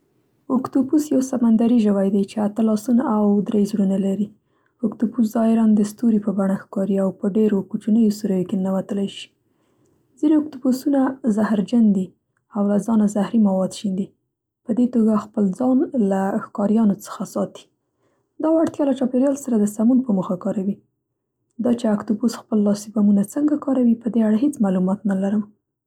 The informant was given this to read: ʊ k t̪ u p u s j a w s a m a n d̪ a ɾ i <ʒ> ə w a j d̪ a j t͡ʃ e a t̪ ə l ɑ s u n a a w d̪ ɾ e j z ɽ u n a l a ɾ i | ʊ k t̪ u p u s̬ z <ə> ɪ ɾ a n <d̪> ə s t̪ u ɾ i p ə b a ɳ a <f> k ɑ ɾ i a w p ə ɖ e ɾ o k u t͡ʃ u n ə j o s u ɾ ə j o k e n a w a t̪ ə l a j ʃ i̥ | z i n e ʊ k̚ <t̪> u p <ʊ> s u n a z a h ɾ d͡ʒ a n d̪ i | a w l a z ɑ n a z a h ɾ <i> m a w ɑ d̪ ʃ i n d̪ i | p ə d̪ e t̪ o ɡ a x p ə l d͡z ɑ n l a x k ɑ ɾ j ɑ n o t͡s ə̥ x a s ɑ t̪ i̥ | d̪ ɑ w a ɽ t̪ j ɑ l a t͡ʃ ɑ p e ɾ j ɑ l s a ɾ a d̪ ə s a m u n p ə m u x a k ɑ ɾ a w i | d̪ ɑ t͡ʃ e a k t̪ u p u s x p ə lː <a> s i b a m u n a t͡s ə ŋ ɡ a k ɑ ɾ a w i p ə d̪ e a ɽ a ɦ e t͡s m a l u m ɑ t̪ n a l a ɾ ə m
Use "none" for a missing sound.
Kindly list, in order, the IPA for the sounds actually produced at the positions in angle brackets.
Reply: ʒ, ɑ, d̪, x, t̪, u, i, ɑ

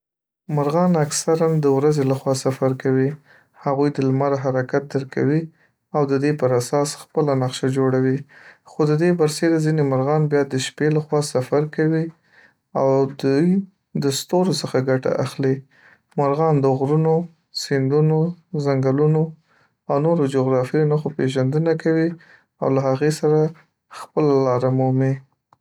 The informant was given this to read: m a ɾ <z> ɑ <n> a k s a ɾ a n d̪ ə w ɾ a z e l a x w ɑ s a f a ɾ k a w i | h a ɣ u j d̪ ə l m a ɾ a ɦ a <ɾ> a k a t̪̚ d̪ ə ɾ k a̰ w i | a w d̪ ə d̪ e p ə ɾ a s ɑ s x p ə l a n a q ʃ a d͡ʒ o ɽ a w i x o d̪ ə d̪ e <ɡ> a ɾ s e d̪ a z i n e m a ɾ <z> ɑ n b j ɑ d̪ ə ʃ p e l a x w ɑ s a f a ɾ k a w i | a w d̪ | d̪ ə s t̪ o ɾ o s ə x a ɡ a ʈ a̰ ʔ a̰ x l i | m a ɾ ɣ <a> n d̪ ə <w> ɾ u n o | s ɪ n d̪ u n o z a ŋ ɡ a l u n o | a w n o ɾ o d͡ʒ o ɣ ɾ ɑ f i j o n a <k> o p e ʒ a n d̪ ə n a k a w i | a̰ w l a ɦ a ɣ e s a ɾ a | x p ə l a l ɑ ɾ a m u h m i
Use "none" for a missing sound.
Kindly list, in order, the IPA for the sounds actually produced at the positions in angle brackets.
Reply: ɣ, n, ɾ, b, ɣ, ɑ, ɣ, x

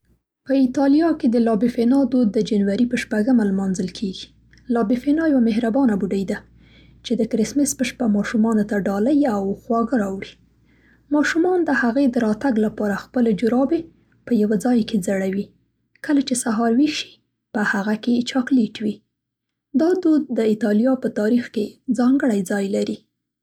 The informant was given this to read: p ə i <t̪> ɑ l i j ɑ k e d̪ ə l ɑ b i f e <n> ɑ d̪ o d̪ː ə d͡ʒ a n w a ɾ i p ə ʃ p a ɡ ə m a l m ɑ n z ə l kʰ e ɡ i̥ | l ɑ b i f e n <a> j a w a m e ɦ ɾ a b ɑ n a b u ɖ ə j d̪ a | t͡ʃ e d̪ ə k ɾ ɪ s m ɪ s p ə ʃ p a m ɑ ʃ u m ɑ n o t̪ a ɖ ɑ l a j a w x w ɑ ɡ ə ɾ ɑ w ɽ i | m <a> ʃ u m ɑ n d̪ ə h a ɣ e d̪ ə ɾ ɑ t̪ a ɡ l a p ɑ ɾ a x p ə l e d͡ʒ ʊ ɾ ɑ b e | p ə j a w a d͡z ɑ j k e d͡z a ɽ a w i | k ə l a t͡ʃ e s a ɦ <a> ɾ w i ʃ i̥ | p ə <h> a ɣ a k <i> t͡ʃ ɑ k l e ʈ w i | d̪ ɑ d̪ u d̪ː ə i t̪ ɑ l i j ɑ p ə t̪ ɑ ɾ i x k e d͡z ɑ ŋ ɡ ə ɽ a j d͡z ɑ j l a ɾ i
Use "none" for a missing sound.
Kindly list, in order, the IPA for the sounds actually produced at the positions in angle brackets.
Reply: t̪, n, ɑ, ɑ, ɑ, h, e

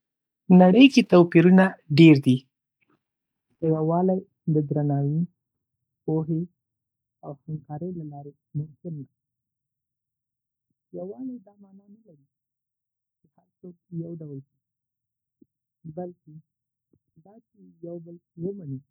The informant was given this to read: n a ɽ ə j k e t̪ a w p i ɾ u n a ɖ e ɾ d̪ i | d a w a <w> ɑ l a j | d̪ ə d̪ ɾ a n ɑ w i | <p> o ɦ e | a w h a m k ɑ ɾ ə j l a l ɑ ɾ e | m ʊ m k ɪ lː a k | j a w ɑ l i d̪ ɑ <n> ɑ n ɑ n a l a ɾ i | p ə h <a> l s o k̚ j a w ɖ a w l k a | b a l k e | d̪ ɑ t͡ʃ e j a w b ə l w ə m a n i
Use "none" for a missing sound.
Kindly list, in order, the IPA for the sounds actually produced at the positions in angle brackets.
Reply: w, p, m, a

